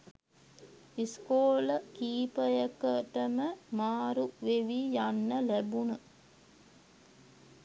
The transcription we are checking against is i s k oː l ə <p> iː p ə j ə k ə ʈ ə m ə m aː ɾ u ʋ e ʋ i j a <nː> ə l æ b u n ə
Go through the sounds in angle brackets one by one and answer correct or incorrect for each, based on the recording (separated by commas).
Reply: incorrect, correct